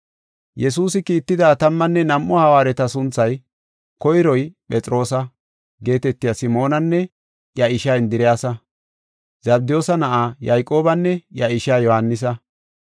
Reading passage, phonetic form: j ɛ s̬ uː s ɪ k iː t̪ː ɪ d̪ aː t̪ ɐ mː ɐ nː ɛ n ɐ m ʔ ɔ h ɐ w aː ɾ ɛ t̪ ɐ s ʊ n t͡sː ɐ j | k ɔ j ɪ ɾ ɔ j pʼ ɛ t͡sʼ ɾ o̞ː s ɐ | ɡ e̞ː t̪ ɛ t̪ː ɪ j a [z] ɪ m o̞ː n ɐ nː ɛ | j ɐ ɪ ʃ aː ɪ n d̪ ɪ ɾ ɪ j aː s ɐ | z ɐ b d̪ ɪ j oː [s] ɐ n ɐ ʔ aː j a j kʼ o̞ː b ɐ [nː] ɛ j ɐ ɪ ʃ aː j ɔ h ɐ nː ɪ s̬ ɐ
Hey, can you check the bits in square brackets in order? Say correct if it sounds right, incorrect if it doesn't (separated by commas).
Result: incorrect, correct, correct